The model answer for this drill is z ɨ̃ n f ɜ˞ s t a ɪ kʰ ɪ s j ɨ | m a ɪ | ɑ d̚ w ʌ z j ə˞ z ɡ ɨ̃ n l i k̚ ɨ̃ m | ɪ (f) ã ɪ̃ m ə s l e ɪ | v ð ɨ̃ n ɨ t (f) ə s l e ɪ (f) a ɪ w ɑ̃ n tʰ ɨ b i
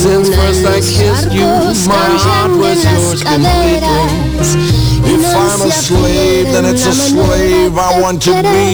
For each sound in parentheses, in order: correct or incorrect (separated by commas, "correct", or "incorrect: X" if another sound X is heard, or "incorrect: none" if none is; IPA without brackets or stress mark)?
correct, incorrect: s, incorrect: v